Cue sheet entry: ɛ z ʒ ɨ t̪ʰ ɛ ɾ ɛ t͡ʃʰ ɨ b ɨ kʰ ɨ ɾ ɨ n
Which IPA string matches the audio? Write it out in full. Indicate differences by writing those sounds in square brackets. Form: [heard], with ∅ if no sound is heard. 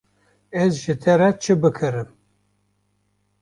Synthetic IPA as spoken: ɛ z ʒ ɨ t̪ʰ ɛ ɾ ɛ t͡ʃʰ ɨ b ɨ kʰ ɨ ɾ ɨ [m]